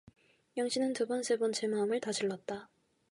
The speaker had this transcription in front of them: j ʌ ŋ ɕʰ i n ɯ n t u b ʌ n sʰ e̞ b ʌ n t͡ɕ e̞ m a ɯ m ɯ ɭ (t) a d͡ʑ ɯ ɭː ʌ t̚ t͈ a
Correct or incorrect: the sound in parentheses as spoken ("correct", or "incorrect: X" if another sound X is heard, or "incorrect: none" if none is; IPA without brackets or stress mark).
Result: correct